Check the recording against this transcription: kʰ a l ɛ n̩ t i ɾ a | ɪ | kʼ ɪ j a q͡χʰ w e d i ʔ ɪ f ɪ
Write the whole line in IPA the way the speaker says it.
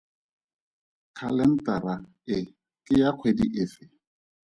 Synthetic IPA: kʰ a l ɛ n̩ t a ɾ a | ɪ | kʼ ɪ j a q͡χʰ w e d i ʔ ɪ f ɪ

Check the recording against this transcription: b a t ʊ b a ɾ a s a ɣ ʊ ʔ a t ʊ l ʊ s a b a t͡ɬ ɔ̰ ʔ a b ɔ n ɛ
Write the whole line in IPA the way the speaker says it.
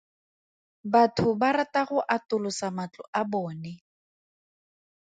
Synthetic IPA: b a tʰ ʊ b a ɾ a t a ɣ ʊ ʔ a t ʊ l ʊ s a m a t͡ɬ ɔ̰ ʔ a b ɔː n ɛ

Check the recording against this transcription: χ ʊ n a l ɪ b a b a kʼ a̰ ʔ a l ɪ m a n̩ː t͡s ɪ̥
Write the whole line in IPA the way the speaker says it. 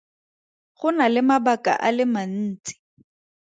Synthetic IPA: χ ʊ n a l ɪ m a b a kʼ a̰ ʔ a l ɪ m a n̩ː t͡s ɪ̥

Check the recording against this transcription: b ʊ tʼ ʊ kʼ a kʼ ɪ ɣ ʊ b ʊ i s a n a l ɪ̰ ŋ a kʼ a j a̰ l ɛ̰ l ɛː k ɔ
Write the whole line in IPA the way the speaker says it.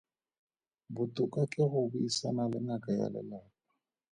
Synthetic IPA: b ʊ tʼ ʊ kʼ a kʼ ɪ ɣ ʊ b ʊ i s a n a l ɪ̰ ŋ a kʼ a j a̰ l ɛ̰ l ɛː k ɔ

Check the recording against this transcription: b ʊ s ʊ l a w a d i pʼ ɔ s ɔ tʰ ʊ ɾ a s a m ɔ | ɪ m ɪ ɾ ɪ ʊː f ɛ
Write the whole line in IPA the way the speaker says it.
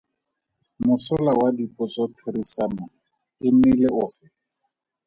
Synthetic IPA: m ʊ s ʊ l a w a d i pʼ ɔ t͡s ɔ tʰ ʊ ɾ i s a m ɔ | ɪ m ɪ l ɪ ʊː f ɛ

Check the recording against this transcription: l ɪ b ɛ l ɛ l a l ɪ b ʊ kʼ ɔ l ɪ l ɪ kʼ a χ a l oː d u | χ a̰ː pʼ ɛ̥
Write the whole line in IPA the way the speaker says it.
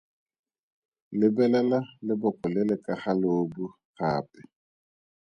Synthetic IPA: l ɪ b ɛ l ɛ l a l ɪ b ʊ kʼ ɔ l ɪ l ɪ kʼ a χ a l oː b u | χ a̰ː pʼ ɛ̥

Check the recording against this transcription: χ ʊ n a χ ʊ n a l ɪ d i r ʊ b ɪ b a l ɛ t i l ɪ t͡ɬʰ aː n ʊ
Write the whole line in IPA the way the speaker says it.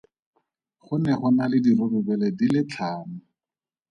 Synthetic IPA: χ ʊ n ɛ χ ʊ n a l ɪ d i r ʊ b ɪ b ɛ l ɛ d i l ɪ t͡ɬʰ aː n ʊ

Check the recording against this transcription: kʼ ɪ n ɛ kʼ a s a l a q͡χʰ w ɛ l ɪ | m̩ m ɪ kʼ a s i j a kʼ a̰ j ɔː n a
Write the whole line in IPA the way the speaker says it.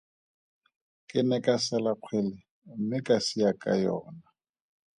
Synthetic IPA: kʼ ɪ n ɛ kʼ a s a l a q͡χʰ w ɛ l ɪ | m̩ m ɪ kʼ a s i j a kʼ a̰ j ɔː n a

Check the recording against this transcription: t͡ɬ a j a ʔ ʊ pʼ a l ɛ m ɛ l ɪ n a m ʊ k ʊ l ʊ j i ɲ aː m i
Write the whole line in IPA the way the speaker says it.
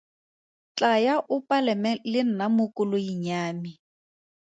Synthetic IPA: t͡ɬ a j a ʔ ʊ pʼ a l ɛ m ɛ l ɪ n a m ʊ k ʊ l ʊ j i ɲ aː m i

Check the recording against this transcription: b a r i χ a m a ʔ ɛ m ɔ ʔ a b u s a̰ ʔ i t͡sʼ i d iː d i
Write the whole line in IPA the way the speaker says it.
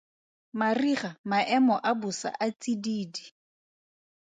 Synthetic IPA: m a r i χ a m a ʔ ɛ m ɔ ʔ a b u s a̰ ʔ a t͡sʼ i d iː d i

